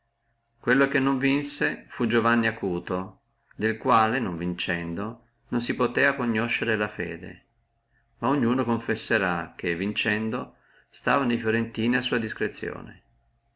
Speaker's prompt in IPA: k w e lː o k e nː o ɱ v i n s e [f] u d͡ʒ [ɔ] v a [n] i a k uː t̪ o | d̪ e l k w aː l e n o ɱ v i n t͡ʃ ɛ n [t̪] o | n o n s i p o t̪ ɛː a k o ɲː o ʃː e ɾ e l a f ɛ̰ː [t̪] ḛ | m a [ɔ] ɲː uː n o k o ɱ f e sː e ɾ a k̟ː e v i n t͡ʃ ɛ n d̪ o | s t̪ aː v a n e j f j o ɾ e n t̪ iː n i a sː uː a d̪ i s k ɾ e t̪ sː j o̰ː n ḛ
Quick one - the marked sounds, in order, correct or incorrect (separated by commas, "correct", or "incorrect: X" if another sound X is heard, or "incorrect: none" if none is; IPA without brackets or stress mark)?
correct, incorrect: o, incorrect: nː, incorrect: d̪, incorrect: d̪, incorrect: o